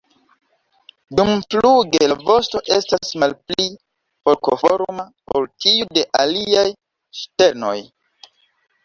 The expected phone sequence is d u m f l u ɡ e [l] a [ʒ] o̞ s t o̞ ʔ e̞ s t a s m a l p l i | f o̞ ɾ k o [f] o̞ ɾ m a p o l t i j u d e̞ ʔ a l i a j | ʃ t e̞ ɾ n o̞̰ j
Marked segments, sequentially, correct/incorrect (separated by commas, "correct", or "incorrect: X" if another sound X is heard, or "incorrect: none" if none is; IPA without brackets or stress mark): correct, incorrect: v, correct